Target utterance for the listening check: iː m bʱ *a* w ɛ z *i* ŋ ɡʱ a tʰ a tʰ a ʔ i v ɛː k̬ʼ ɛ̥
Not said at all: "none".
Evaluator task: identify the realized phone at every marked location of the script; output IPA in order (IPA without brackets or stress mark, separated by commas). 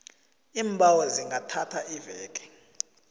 a, i